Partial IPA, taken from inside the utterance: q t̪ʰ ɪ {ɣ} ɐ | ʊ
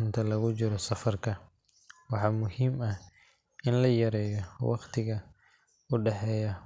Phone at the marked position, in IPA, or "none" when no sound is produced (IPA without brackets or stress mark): ɣ